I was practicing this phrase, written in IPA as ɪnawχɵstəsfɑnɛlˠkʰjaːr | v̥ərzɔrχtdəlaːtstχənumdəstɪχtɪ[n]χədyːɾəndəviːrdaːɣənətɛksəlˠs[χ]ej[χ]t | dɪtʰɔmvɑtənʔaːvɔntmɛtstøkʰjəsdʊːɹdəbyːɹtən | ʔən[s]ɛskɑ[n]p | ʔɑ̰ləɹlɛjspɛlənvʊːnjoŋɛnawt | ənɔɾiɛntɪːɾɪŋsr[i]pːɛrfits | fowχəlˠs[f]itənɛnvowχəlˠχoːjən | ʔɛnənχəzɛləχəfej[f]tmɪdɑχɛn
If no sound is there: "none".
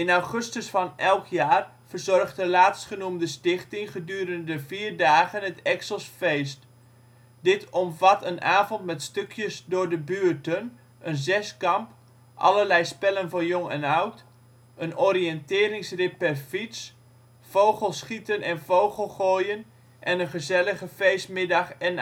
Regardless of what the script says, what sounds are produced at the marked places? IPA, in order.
ŋ, f, s, z, m, ɪ, χ, s

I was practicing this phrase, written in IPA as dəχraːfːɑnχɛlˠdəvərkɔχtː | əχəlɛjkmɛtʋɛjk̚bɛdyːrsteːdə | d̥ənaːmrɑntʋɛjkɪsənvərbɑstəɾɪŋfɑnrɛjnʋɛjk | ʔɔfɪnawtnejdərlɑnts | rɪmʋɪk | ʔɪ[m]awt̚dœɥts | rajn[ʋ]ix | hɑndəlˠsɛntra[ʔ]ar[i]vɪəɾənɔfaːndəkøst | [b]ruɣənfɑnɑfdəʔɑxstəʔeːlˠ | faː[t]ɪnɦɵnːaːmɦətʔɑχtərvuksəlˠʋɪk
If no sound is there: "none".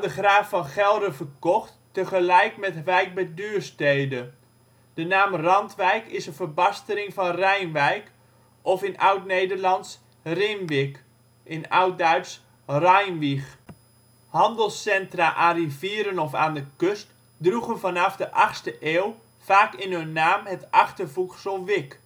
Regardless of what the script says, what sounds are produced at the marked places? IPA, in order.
n, ʋ, ʔ, i, d, k

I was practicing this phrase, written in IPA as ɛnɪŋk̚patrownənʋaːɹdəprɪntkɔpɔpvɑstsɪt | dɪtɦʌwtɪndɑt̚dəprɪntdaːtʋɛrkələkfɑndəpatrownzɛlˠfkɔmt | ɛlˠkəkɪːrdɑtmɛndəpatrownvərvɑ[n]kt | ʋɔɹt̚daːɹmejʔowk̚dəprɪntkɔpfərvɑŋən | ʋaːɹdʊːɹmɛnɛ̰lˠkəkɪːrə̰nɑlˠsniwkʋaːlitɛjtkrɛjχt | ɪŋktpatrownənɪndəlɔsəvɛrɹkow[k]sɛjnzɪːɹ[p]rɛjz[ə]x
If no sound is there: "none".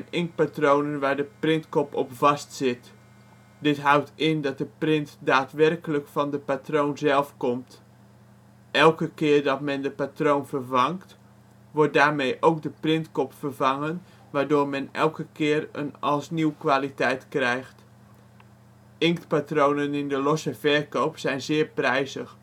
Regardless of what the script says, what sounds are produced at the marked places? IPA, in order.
ŋ, p, p, ə

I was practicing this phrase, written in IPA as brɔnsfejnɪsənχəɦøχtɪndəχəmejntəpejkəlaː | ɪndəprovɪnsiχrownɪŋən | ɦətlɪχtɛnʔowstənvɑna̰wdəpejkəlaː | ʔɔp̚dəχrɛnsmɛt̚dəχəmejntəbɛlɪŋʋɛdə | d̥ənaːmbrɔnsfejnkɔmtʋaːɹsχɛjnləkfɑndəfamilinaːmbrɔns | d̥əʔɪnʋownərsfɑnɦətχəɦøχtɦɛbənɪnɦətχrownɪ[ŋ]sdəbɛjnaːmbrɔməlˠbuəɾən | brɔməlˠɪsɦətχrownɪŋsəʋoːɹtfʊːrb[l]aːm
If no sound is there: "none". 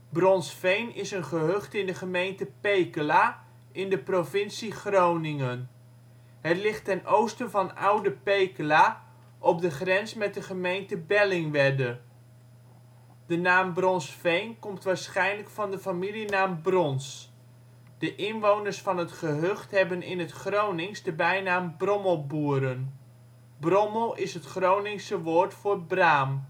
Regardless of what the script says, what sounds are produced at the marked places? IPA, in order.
ŋ, r

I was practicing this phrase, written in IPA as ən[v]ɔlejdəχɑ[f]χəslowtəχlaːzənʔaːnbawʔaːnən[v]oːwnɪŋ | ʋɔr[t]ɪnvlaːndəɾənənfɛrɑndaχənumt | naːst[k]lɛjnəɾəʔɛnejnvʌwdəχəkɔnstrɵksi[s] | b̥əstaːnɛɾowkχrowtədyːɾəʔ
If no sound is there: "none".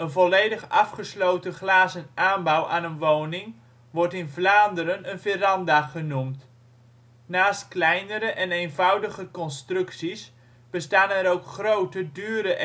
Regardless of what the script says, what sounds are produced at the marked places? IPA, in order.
v, f, ʋ, t, k, s

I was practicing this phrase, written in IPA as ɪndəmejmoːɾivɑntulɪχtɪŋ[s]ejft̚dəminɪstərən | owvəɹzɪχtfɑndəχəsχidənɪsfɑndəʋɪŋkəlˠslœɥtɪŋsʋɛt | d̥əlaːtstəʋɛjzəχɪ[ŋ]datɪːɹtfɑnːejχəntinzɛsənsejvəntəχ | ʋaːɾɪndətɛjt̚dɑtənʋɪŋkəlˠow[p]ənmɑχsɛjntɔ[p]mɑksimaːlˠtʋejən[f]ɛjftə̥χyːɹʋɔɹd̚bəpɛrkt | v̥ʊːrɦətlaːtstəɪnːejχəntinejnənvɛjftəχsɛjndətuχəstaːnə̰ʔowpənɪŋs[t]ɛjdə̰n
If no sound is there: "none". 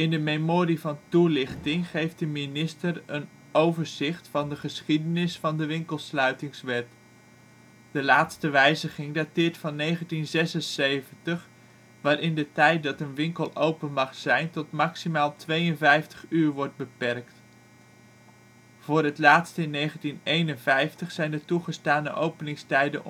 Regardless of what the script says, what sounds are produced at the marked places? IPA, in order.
χ, ŋ, p, t, v, t

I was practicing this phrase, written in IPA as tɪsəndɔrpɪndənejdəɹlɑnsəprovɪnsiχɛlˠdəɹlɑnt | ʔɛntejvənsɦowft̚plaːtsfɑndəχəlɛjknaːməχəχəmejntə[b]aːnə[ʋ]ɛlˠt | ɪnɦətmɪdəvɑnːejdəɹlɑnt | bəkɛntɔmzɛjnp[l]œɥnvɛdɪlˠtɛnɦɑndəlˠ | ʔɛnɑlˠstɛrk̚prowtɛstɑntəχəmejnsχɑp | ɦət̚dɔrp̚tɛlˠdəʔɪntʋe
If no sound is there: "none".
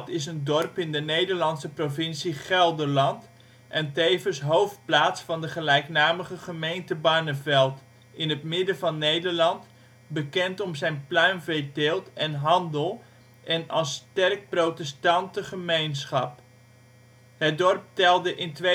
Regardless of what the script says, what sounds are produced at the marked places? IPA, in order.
b, v, l

